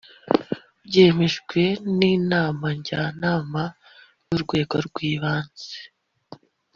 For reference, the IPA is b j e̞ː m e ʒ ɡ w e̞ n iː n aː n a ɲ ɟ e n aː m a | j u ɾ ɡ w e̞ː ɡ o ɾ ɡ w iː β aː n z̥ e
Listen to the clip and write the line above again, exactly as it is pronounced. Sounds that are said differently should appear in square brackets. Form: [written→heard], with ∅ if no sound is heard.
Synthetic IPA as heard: b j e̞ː m e ʒ ɡ w e̞ n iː n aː [n→m] a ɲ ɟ [e→a] n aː m a | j u ɾ ɡ w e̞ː ɡ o ɾ ɡ w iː β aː n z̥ e